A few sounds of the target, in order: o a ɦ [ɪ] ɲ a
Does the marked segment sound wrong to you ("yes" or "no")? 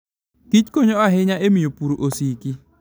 no